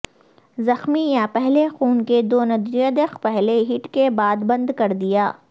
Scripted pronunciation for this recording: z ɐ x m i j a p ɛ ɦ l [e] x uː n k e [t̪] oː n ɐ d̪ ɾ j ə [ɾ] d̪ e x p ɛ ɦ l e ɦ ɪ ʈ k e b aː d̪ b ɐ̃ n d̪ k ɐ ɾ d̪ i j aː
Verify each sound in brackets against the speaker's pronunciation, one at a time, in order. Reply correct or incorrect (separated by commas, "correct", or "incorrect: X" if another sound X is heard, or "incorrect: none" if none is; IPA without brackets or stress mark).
correct, incorrect: d̪, incorrect: none